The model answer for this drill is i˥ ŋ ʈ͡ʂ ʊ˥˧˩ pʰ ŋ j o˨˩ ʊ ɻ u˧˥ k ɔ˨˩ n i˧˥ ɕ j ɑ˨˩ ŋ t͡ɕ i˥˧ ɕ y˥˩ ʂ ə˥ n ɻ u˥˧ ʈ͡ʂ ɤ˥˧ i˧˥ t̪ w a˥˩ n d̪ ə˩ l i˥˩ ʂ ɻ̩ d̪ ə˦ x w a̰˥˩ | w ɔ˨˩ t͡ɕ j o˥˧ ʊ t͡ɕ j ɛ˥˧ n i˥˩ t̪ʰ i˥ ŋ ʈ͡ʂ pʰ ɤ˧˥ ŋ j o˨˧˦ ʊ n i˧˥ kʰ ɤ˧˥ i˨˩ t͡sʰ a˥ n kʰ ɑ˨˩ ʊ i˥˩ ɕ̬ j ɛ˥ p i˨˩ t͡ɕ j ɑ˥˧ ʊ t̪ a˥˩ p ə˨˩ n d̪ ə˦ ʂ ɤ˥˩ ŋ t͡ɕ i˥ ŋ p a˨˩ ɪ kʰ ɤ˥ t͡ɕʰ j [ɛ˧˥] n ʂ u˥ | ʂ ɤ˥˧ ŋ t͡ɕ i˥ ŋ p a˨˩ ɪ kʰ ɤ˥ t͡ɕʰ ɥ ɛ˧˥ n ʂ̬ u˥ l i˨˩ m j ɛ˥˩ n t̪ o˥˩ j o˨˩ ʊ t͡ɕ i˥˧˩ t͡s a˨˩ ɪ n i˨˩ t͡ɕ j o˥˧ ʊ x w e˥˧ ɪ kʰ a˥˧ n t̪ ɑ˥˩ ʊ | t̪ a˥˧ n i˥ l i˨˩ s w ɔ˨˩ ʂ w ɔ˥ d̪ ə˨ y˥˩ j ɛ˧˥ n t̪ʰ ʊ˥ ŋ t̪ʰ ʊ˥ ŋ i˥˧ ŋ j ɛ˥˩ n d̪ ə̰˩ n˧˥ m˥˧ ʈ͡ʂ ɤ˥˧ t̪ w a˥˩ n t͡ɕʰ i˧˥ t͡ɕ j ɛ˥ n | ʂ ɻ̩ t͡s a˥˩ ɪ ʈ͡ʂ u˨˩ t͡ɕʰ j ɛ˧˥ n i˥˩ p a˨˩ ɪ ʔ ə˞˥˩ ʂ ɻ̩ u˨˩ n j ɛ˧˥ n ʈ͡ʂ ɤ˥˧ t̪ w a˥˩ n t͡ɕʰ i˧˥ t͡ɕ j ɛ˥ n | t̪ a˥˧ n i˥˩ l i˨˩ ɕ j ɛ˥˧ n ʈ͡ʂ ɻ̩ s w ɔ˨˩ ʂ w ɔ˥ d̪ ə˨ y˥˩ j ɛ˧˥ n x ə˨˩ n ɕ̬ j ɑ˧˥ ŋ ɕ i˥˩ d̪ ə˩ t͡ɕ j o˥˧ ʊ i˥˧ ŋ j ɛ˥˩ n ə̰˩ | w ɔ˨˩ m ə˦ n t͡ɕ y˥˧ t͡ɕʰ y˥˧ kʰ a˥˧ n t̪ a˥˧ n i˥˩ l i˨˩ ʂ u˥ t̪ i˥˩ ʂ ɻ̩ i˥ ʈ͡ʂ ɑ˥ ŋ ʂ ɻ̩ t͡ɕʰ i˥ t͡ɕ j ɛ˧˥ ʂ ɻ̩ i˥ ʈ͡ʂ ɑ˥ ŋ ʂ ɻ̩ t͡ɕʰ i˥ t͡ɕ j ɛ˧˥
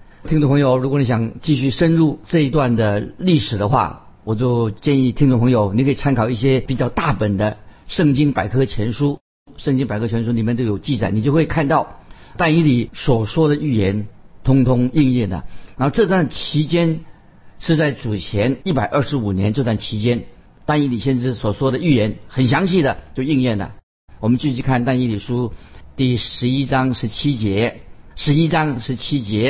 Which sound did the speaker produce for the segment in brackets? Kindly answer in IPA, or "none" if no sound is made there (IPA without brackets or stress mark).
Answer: ɛ˧˥